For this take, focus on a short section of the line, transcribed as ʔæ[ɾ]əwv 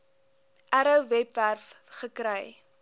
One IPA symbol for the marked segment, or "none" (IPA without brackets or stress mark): ɾ